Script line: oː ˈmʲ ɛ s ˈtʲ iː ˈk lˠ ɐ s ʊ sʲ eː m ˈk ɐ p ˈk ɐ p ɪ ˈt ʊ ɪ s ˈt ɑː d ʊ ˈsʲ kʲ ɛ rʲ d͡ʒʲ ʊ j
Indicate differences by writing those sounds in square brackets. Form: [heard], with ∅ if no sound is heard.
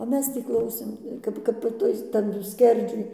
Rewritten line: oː ˈmʲ ɛ s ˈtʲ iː ˈk lˠ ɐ [∅] ʊ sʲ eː m ˈk ɐ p ˈk ɐ p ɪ ˈt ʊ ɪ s ˈt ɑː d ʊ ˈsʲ kʲ ɛ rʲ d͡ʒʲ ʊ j

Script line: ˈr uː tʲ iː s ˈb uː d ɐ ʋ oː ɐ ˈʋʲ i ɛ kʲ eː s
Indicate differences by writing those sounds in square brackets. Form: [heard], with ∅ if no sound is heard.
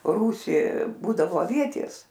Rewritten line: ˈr uː [sʲ] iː [∅] ˈb uː d ɐ ʋ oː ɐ ˈʋʲ i ɛ [tʲ] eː s

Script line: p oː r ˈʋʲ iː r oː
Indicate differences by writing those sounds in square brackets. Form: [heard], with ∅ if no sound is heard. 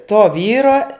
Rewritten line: [t] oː [∅] ˈʋʲ iː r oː

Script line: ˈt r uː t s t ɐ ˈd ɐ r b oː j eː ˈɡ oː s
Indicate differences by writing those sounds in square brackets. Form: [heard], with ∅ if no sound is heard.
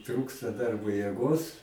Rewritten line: ˈt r uː [k] s t ɐ ˈd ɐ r b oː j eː ˈɡ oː s

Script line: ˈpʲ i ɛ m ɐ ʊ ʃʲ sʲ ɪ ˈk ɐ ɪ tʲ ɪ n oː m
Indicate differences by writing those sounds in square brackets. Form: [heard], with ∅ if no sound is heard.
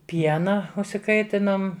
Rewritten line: ˈpʲ i ɛ [n] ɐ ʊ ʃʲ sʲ ɪ ˈk ɐ ɪ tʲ ɪ n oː m

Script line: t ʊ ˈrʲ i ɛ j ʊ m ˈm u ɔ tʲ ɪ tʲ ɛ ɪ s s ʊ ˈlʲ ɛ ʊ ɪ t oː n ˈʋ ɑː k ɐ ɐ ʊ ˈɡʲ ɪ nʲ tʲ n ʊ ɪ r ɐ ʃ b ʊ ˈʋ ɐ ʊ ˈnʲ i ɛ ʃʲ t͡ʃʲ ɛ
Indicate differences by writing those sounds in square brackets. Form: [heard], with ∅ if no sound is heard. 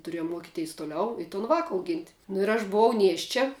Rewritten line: t ʊ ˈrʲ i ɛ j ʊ m ˈm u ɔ [kʲ] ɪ tʲ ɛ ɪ s [t] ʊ ˈlʲ ɛ ʊ ɪ t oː n ˈʋ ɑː k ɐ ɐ ʊ ˈɡʲ ɪ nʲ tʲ n ʊ ɪ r ɐ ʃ b ʊ ˈʋ ɐ ʊ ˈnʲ i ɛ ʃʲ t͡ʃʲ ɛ

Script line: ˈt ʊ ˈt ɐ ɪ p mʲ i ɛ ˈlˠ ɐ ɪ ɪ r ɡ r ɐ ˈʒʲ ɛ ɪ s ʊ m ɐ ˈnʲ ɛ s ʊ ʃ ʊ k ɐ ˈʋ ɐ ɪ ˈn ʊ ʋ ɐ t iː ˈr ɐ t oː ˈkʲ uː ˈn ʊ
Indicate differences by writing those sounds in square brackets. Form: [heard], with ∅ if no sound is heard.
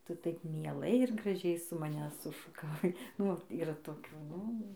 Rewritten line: ˈt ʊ ˈt ɐ ɪ p mʲ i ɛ ˈlˠ ɐ ɪ ɪ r ɡ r ɐ ˈʒʲ ɛ ɪ s ʊ m ɐ ˈnʲ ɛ s ʊ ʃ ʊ k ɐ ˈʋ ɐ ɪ ˈn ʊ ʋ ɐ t iː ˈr ɐ t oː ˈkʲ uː ˈn ʊ

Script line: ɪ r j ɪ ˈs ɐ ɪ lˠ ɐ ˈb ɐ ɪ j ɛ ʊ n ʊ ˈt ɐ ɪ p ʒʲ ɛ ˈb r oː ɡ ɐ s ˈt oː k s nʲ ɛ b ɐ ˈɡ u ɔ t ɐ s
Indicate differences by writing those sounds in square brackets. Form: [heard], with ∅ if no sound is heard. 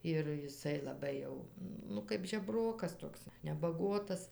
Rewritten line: ɪ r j ɪ ˈs ɐ ɪ lˠ ɐ ˈb ɐ ɪ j ɛ ʊ n ʊ [ˈk] ɐ ɪ p ʒʲ ɛ ˈb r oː [k] ɐ s ˈt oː k s nʲ ɛ b ɐ ˈɡ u ɔ t ɐ s

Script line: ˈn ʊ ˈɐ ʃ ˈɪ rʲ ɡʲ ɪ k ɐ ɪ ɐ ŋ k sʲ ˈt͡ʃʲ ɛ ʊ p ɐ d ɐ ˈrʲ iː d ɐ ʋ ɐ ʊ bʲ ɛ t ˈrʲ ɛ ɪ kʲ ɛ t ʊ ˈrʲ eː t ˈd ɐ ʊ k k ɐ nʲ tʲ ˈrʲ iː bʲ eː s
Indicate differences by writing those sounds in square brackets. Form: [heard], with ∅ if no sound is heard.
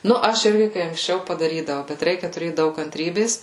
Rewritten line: ˈn ʊ ˈɐ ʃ ˈɪ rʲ ɡʲ ɪ k ɐ ɪ ɐ ŋ k sʲ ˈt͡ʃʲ ɛ ʊ p ɐ d ɐ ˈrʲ iː d ɐ ʋ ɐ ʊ bʲ ɛ t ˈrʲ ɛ ɪ kʲ ɛ t ʊ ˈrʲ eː t ˈd ɐ ʊ k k ɐ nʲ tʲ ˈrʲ iː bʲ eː s

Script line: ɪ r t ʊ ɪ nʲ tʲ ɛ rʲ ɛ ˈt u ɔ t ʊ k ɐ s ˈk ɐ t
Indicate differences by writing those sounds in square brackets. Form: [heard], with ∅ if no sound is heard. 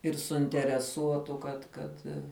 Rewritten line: ɪ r [s] ʊ ɪ nʲ tʲ ɛ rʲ ɛ [ˈs] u ɔ t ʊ k ɐ [t] ˈk ɐ t

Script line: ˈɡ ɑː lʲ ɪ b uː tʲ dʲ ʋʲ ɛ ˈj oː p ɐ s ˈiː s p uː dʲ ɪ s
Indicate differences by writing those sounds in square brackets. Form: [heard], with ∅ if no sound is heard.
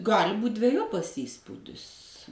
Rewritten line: ˈɡ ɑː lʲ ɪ b uː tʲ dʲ ʋʲ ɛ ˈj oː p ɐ s ˈiː s p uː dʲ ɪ s

